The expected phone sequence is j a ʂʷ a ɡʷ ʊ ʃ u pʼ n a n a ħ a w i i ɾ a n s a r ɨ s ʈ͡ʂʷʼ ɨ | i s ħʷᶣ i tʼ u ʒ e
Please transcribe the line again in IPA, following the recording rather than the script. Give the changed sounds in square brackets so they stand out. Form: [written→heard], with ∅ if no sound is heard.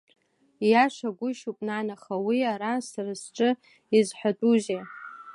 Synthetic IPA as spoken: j a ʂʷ a ɡʷ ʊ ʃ u pʼ n a n a [ħ→χ] a w i [i→a] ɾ a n s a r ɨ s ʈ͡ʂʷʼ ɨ | i [s→z] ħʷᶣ [i→a] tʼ u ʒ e